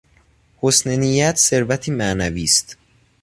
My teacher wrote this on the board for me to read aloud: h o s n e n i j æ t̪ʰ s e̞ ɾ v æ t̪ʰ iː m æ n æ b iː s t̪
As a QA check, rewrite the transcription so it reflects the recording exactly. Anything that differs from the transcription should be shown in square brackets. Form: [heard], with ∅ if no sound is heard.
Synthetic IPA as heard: h o s n e n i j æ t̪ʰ s e̞ ɾ v æ t̪ʰ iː m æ n æ [v] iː s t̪